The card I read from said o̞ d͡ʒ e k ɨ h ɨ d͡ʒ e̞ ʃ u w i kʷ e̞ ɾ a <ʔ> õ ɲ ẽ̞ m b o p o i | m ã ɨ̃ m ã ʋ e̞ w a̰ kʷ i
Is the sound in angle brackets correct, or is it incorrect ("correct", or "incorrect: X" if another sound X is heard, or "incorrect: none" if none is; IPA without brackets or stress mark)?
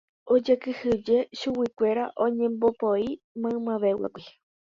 correct